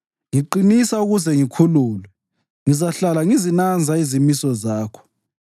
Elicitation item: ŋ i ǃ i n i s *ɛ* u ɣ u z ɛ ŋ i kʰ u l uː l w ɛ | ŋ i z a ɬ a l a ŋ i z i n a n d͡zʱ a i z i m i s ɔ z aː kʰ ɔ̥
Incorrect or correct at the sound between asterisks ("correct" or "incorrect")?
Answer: incorrect